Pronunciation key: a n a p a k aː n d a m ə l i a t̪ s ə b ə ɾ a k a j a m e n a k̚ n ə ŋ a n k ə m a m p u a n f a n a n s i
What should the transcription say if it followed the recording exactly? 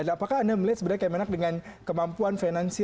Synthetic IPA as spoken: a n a p a k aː n d a m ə l i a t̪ s ə b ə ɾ a k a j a m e n a k̚ d ə ŋ a n k ə m a m p u a n f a n a n s i